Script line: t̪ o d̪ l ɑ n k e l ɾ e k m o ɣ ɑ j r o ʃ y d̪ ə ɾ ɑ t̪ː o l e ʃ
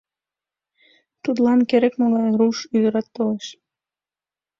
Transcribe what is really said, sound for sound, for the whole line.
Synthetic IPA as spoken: t̪ u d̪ l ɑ n k e ɾ e k m o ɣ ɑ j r u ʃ y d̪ ə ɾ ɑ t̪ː o l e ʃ